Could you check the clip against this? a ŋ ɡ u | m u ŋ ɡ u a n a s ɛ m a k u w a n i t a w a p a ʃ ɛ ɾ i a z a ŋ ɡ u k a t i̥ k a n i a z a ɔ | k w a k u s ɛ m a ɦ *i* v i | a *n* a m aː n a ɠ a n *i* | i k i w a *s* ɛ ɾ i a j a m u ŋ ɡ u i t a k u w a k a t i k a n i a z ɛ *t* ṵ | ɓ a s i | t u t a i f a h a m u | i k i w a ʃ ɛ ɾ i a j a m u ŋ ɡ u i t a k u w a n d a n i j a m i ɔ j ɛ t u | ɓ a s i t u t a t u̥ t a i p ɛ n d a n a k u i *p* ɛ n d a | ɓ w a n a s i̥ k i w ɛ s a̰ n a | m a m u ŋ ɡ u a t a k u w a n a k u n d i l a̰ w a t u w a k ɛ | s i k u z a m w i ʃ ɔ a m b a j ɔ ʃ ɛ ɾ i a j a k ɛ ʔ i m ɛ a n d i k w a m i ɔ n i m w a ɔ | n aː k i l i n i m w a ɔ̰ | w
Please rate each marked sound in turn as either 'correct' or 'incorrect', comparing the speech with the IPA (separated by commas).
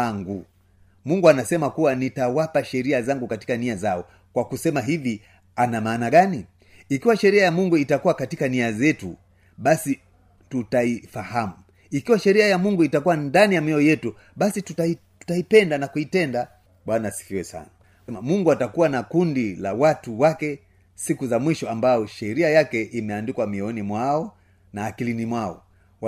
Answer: correct, correct, correct, incorrect, correct, incorrect